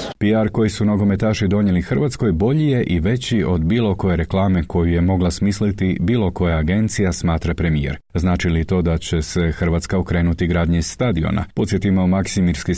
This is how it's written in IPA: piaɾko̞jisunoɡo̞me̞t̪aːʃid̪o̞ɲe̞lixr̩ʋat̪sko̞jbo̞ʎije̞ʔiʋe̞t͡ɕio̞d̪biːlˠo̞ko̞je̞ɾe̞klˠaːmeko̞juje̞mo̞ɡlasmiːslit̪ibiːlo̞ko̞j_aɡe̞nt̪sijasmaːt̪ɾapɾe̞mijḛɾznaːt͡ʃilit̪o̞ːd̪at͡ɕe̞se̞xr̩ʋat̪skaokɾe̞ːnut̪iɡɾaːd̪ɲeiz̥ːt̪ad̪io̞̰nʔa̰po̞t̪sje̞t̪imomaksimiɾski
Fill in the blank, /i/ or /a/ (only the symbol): a